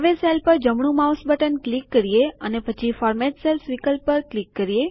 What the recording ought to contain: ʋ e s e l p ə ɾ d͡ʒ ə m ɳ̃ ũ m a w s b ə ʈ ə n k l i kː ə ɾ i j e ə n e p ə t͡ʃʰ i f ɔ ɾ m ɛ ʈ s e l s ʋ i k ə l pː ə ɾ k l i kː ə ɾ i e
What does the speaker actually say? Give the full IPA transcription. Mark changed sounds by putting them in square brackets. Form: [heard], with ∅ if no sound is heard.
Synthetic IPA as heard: ʋ e s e l p ə ɾ d͡ʒ ə m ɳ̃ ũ m a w s b ə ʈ ə n k l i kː ə ɾ i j e ə n e p ə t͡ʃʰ i f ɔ ɾ m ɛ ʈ s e l s ʋ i k ə l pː ə ɾ k l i kː ə ɾ i e